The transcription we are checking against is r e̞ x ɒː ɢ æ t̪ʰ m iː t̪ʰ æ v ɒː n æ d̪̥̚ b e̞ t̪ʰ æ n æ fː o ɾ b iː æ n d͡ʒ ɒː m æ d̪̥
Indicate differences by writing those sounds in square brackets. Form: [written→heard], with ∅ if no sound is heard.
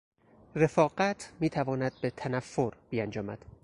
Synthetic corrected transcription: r e̞ [x→f] ɒː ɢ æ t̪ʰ m iː t̪ʰ æ v ɒː n æ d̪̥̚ b e̞ t̪ʰ æ n æ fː o ɾ b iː æ n d͡ʒ ɒː m æ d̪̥